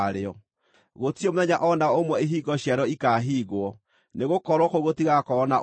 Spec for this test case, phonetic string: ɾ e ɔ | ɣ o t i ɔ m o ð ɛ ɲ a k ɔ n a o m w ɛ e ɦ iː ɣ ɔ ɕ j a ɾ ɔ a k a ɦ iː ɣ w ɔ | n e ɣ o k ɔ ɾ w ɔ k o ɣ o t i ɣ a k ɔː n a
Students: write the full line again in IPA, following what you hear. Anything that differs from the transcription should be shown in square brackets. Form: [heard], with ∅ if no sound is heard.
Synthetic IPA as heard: ɾ e ɔ | ɣ o t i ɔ m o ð ɛ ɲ a [ʔ] ɔ n a o m w ɛ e ɦ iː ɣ ɔ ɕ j a ɾ ɔ [i] k a ɦ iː ɣ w ɔ | n e ɣ o k ɔ ɾ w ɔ k o ɣ o t i ɣ a k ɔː n a